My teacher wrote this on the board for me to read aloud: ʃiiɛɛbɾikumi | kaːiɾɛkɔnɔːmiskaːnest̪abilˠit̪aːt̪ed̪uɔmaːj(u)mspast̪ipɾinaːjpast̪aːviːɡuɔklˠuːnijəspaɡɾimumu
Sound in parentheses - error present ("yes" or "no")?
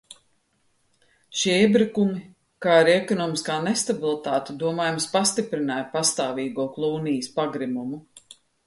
no